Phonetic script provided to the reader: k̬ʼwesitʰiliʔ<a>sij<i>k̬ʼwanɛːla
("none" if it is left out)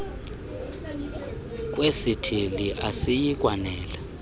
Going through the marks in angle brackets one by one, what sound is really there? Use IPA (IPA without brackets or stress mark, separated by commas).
a, i